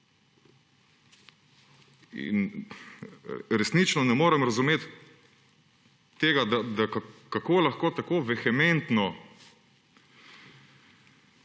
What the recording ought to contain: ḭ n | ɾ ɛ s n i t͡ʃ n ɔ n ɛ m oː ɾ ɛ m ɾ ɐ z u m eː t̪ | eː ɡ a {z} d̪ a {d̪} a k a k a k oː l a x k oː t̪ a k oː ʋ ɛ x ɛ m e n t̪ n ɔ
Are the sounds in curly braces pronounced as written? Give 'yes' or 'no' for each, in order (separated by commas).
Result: no, yes